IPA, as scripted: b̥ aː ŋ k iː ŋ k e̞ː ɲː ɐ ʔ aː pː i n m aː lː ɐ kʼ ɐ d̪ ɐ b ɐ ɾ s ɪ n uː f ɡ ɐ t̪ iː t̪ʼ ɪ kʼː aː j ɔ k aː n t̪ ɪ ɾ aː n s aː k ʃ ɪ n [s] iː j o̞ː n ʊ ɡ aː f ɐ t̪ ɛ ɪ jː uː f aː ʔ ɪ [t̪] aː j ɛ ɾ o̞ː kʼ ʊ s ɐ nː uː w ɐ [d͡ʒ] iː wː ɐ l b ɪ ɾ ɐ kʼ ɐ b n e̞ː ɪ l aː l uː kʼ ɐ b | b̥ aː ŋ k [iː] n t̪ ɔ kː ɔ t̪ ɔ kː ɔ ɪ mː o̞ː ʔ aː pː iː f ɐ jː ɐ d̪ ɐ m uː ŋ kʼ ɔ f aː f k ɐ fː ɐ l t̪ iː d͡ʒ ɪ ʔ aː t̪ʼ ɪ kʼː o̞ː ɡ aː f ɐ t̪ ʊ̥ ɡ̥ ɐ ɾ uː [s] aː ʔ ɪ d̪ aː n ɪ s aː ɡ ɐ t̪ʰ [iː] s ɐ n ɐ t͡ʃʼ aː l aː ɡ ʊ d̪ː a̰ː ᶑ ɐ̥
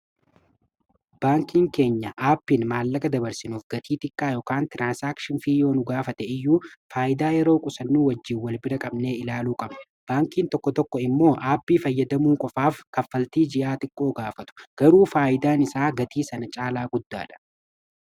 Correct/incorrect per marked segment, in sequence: incorrect: f, incorrect: d̪, incorrect: d͡ʒː, correct, incorrect: f, correct

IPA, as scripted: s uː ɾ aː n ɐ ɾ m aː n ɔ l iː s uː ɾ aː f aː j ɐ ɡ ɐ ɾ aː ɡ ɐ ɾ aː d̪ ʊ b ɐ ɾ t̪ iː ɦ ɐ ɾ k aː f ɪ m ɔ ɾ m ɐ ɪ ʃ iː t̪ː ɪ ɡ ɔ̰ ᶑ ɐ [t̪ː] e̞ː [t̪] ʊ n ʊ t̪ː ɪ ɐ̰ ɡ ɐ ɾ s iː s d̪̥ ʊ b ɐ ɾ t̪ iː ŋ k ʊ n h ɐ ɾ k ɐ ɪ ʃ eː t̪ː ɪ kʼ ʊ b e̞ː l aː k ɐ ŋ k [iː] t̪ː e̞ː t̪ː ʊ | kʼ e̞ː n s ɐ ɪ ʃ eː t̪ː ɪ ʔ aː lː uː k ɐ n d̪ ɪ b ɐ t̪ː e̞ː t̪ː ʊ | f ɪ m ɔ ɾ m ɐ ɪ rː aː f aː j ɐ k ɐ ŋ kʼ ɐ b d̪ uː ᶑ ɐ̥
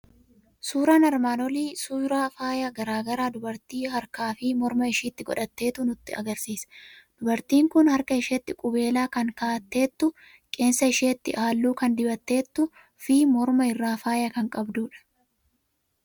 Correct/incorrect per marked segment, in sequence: correct, correct, incorrect: aː

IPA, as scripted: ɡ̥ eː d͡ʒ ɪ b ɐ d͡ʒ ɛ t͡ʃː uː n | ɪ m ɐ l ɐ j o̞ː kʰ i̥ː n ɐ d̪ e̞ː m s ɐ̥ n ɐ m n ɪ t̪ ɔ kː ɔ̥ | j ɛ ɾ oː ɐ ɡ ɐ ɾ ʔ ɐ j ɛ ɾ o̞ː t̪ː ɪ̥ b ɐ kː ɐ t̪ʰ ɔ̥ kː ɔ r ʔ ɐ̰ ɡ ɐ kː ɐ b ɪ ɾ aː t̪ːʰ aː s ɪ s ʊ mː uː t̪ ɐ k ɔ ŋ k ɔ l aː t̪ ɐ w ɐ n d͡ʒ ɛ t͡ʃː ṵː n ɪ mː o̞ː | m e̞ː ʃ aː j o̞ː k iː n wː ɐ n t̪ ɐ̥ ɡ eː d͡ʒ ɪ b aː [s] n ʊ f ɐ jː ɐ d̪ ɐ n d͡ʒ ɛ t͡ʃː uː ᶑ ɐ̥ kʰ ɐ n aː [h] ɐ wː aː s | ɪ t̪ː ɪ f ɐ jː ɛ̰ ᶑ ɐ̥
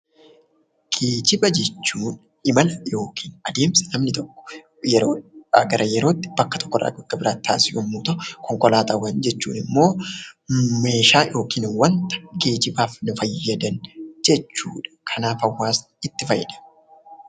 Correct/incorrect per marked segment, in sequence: incorrect: f, incorrect: f

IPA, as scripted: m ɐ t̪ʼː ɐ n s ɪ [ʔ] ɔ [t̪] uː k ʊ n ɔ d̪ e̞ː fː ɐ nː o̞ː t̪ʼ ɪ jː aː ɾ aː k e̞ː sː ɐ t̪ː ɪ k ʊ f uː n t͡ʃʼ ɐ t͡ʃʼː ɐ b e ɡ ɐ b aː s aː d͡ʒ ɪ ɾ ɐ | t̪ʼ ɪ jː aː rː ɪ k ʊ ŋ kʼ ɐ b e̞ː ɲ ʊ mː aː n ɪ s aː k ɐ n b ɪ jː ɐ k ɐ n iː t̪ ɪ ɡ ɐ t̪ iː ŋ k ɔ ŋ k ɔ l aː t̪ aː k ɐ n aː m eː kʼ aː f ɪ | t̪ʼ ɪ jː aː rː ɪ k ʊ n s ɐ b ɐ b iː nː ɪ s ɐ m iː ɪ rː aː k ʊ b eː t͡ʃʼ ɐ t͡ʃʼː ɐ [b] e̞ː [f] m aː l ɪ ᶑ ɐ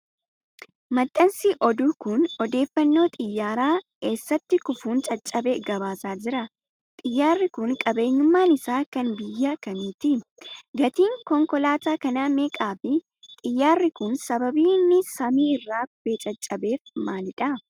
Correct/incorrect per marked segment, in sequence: correct, incorrect: d̪, correct, correct

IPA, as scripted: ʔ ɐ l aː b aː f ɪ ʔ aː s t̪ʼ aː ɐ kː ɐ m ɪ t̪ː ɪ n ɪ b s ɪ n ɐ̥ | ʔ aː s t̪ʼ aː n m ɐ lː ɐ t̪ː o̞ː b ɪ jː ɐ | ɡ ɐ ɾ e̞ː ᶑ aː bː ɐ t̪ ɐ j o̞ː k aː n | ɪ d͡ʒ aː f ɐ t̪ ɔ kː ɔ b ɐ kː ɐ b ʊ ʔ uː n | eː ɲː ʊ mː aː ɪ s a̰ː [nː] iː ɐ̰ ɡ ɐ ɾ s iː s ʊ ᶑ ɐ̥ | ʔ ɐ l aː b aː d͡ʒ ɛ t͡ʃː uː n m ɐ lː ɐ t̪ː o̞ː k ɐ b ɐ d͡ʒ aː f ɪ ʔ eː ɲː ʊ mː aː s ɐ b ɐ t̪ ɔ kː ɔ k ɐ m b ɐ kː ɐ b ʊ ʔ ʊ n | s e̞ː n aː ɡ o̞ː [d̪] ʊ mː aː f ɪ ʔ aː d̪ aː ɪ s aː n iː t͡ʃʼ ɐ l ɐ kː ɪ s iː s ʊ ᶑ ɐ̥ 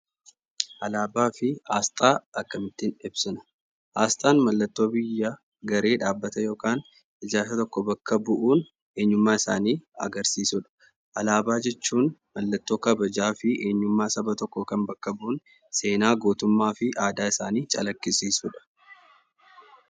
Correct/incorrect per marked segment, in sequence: incorrect: n, incorrect: t̪

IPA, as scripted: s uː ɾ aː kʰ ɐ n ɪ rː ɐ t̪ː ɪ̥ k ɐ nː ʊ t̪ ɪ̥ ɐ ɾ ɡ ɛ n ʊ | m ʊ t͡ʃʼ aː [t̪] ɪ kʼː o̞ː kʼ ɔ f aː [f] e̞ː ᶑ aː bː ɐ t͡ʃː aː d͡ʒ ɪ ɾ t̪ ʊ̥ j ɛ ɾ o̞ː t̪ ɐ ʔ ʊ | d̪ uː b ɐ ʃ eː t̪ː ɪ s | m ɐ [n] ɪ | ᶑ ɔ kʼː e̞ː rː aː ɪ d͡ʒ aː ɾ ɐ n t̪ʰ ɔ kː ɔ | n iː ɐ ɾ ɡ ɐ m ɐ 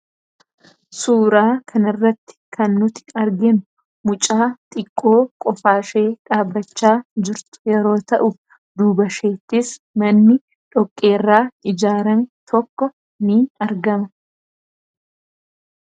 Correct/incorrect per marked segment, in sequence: incorrect: t̪ʼ, incorrect: ʃ, incorrect: nː

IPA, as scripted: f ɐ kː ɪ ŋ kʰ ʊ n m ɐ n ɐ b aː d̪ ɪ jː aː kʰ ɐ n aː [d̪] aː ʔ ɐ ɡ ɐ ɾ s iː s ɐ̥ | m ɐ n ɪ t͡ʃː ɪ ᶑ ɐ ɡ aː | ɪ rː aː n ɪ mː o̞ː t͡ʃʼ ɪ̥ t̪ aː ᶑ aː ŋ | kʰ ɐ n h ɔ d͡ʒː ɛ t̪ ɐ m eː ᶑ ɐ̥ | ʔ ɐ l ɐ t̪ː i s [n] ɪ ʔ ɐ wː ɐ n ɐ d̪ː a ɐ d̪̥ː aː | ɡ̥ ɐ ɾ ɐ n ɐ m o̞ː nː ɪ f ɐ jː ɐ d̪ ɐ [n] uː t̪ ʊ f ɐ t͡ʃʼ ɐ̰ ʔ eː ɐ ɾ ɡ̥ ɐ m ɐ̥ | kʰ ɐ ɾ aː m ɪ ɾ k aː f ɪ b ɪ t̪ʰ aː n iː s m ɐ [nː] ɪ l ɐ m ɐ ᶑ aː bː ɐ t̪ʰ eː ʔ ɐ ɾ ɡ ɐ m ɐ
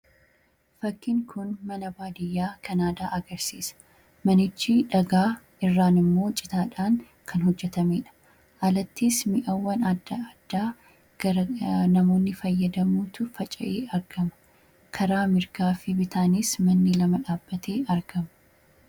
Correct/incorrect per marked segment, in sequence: correct, incorrect: m, incorrect: m, correct

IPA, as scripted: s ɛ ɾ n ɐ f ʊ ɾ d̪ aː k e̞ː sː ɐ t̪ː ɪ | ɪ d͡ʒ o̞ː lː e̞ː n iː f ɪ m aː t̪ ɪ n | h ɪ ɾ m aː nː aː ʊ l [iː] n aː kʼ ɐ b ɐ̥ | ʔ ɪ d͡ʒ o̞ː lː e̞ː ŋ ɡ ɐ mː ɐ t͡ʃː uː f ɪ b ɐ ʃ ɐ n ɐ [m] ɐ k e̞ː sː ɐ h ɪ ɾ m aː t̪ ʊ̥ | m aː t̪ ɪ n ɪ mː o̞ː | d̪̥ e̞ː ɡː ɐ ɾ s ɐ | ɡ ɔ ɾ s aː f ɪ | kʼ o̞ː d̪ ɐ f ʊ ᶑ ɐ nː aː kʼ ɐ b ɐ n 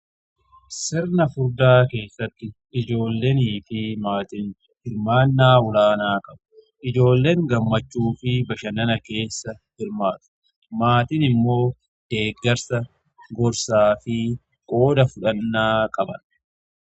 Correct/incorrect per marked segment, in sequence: incorrect: aː, incorrect: n

